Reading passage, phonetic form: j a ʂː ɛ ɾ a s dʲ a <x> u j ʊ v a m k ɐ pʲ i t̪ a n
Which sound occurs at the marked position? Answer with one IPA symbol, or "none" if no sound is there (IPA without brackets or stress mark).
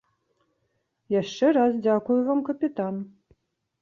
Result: k